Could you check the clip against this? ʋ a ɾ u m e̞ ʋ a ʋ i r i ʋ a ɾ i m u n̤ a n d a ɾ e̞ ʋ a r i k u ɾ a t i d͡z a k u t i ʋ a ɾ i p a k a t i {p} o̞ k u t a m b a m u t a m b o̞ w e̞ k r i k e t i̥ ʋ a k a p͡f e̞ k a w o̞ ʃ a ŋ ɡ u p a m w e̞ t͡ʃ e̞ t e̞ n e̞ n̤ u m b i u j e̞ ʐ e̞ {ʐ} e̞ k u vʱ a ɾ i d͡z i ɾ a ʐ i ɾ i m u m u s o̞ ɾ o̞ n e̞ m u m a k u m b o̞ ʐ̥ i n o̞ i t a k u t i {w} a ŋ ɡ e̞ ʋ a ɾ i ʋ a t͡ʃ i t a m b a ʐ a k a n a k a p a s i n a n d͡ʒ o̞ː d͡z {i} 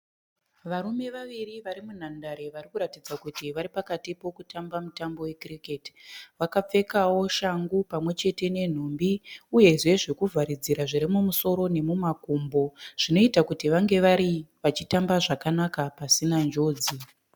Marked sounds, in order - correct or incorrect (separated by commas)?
correct, correct, incorrect, correct